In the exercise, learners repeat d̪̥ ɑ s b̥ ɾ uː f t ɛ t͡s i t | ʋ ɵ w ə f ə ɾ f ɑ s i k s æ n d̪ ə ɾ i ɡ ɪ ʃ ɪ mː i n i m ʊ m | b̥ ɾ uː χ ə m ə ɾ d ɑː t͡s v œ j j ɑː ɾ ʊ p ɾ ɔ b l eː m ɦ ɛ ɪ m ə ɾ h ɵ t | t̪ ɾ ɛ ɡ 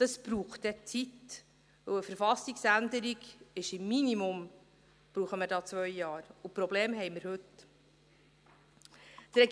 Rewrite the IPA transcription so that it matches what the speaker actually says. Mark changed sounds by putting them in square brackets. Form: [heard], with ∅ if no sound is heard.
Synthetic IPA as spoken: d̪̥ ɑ s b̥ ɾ uː [χ] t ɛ t͡s i t | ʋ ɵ w ə f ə ɾ f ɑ s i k s æ n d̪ ə ɾ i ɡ ɪ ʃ ɪ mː i n i m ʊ m | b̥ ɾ uː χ ə m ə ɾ d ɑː t͡s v œ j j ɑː ɾ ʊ p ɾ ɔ b l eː m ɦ ɛ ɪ m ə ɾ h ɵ t | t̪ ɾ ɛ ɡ